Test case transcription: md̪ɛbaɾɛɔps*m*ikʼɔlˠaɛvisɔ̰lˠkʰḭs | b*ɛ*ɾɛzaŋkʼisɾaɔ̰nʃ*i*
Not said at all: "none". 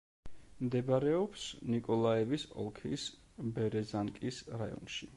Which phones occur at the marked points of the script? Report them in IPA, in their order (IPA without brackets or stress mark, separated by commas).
n, ɛ, i